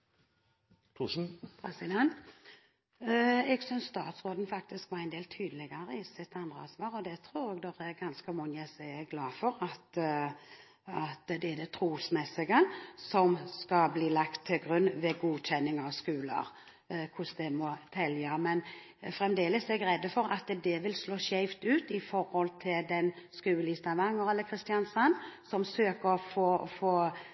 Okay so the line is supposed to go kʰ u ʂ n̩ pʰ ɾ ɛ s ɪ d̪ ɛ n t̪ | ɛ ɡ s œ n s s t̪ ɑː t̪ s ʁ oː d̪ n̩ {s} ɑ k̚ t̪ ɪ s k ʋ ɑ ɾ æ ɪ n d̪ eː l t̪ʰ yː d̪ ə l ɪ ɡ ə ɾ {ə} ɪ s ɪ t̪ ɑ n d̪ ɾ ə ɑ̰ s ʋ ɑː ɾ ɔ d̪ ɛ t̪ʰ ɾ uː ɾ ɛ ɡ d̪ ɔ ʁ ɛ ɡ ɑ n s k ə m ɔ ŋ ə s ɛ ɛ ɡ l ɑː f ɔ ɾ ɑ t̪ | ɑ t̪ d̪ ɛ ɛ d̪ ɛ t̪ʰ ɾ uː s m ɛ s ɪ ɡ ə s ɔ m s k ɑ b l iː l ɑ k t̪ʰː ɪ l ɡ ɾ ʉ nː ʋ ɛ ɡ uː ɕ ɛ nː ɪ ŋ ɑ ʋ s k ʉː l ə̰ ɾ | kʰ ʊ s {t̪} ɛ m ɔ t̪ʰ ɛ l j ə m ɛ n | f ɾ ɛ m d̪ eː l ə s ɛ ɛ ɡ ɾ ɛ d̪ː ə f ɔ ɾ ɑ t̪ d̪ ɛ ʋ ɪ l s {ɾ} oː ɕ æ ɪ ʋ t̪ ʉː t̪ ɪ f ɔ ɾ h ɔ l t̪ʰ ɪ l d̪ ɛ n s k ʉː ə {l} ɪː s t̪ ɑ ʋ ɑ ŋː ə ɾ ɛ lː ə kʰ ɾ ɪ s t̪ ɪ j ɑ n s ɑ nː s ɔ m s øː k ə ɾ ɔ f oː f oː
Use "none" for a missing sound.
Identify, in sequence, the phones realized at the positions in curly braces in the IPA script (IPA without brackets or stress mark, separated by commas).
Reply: f, ə, d̪, l, l